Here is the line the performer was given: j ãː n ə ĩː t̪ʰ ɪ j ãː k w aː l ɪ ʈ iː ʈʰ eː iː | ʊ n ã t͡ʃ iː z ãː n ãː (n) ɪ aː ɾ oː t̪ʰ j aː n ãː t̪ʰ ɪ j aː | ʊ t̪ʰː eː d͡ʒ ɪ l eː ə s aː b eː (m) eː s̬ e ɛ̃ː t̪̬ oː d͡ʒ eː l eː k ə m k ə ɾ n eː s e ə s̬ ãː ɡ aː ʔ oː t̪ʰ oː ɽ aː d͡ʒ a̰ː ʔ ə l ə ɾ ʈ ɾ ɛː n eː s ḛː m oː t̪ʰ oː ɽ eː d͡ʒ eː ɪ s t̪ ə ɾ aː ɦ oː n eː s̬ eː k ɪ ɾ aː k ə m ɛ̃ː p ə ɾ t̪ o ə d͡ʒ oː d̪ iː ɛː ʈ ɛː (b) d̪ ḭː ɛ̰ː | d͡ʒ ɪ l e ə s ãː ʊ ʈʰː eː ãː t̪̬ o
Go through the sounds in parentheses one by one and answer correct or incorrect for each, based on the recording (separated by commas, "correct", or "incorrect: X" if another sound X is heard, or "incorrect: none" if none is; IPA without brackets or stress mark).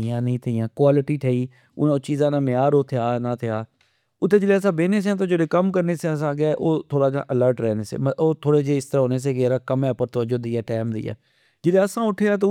incorrect: m, incorrect: n, incorrect: m